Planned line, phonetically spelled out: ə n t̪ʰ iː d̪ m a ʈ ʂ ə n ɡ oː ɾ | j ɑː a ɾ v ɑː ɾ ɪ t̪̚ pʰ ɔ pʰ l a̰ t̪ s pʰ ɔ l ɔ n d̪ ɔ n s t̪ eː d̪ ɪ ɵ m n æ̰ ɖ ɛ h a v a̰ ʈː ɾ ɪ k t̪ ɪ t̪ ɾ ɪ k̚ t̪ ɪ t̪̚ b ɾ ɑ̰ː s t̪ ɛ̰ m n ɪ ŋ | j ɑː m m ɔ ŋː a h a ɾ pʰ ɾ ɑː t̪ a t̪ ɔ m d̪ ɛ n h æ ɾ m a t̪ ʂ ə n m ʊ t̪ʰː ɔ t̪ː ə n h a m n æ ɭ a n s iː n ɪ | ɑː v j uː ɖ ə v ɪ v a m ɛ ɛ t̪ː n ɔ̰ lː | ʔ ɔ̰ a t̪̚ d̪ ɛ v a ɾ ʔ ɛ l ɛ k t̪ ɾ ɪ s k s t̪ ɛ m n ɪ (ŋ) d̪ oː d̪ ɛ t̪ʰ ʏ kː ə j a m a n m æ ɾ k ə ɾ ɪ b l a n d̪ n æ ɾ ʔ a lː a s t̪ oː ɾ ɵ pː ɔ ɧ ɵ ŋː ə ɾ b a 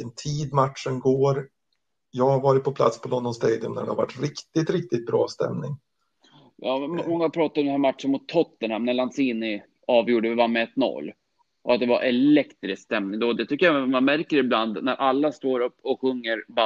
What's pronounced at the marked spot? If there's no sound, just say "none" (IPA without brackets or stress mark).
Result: ŋ